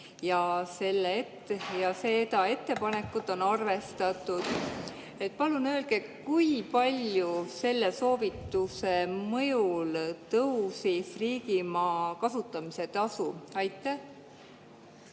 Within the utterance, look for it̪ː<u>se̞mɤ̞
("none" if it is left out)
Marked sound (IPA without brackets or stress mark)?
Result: u